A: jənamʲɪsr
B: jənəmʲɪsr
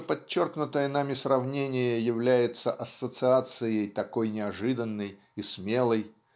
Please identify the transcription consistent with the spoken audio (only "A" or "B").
A